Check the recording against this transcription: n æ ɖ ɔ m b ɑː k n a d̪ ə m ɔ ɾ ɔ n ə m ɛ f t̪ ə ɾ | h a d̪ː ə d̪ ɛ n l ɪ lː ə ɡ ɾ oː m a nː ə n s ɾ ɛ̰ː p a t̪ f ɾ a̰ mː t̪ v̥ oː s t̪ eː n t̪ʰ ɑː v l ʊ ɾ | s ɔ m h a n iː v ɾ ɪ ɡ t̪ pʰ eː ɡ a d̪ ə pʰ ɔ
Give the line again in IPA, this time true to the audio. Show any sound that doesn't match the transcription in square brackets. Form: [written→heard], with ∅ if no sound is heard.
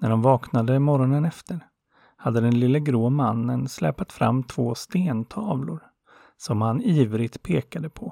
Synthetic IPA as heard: n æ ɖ ɔ m [b→v] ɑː k n a d̪ ə m ɔ ɾ ɔ n ə [m→n] ɛ f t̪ ə ɾ | h a d̪ː ə d̪ ɛ n l ɪ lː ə ɡ ɾ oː m a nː ə n s [ɾ→l] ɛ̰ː p a t̪ f ɾ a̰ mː [t̪→t̪ʰ] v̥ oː s t̪ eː n t̪ʰ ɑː v l ʊ ɾ | s ɔ m h a n iː v ɾ ɪ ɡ t̪ pʰ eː [ɡ→k] a d̪ ə pʰ ɔ